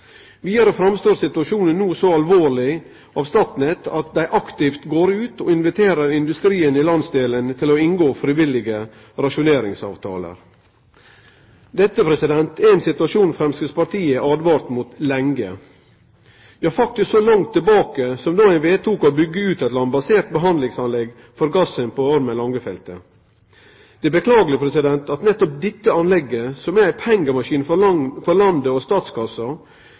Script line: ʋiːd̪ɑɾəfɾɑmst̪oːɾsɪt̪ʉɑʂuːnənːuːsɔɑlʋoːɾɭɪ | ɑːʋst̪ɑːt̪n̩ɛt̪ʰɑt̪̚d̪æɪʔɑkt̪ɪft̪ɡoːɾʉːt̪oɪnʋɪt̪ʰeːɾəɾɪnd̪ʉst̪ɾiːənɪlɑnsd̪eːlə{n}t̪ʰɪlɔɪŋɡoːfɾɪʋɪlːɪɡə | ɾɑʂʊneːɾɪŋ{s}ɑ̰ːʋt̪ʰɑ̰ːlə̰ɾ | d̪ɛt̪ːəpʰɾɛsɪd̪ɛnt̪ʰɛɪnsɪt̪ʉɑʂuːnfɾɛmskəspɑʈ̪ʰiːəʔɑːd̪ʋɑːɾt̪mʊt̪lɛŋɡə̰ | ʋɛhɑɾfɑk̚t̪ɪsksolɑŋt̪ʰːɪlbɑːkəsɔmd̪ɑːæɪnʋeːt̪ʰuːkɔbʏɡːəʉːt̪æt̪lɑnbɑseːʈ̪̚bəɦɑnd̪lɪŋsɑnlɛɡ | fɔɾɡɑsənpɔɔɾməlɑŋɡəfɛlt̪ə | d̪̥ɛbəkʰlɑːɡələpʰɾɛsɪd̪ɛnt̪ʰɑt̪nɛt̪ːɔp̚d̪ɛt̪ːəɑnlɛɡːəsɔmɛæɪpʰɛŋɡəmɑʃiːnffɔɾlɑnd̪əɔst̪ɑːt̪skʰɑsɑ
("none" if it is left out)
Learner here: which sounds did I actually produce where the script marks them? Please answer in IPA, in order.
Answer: n, s

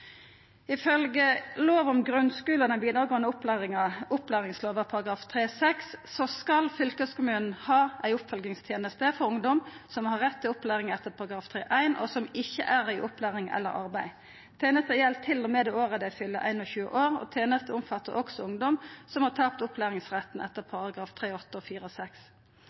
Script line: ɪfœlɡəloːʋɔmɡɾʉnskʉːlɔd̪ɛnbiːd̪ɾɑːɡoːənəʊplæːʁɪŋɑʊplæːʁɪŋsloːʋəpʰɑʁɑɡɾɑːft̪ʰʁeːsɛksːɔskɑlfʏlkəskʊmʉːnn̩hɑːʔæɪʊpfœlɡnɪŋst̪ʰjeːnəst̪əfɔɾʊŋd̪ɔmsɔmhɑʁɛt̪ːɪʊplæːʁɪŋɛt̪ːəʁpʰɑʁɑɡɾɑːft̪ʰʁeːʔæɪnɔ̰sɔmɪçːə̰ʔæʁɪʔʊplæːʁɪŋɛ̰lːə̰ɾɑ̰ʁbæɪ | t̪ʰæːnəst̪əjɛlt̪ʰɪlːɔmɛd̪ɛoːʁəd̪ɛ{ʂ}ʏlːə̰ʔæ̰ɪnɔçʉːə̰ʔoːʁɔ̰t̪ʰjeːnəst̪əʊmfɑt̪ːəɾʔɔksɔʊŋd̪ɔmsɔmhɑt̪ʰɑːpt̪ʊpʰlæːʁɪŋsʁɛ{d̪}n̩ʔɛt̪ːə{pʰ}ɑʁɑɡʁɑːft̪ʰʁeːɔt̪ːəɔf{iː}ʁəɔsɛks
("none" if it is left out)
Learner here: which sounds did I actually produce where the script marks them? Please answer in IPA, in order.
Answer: f, t̪, pʰ, iː

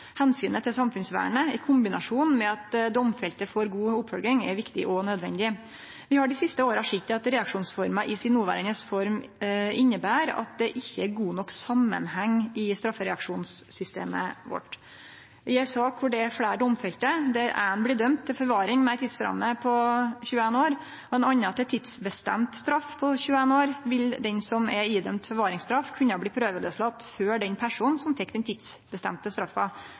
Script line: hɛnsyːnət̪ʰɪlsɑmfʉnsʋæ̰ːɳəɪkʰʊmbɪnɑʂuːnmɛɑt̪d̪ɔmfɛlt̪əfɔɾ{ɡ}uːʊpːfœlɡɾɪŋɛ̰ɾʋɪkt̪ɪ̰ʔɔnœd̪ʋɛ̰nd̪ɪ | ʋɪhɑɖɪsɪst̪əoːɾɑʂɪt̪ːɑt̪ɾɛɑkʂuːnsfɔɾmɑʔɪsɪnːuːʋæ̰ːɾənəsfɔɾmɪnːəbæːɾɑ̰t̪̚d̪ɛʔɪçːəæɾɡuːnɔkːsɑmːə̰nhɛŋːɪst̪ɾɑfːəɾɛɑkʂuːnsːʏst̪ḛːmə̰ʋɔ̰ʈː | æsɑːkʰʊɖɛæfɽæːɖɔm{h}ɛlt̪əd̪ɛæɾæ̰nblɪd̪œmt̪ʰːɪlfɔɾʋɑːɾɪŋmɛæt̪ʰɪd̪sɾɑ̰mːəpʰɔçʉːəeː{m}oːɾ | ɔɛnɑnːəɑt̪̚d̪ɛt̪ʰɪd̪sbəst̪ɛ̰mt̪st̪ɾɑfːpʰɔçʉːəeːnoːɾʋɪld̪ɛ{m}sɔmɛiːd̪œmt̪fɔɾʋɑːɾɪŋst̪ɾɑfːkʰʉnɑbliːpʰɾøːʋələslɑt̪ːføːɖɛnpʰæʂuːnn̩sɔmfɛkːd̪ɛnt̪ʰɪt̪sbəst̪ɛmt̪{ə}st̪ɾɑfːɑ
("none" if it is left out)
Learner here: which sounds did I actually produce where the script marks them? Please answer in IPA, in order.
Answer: ɡ, f, n, n, ə

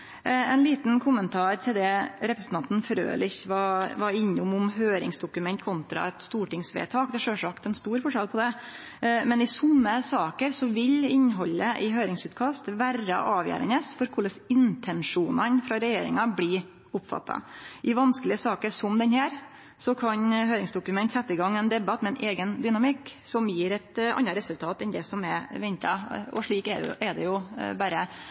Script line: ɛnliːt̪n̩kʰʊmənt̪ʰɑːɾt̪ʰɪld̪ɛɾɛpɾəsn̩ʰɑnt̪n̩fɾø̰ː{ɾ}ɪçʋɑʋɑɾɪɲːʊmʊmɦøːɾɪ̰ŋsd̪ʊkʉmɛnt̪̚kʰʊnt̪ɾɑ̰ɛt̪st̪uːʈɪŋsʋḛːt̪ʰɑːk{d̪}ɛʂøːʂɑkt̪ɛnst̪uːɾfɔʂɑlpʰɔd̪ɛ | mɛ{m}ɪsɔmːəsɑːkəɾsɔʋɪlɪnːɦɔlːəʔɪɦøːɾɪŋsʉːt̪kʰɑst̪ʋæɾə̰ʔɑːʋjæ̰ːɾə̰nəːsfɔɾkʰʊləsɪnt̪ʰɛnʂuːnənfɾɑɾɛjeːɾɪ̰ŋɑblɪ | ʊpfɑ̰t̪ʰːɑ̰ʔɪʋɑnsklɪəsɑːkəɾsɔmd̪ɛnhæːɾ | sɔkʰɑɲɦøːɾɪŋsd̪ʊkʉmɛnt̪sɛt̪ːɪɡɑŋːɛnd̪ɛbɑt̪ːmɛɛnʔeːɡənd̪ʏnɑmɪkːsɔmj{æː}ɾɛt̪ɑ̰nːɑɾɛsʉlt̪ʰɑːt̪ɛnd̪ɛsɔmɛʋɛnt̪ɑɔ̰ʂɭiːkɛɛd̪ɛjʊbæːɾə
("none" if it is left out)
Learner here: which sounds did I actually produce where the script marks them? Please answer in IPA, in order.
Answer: l, d̪, n, iː

